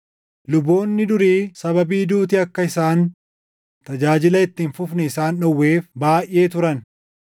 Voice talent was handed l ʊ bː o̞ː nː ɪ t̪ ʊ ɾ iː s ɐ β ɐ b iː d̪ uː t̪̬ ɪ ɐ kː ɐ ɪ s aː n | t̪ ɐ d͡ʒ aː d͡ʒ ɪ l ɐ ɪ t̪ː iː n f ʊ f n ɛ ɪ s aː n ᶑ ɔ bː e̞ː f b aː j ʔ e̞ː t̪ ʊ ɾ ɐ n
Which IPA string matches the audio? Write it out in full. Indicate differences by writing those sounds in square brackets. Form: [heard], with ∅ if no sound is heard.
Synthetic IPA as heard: l ʊ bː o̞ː nː ɪ [d̪] ʊ ɾ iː s ɐ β ɐ b iː d̪ uː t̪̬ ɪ ɐ kː ɐ ɪ s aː n | t̪ ɐ d͡ʒ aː d͡ʒ ɪ l ɐ ɪ t̪ː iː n f ʊ f n ɛ ɪ s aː n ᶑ ɔ [wː] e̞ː f b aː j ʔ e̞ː t̪ ʊ ɾ ɐ n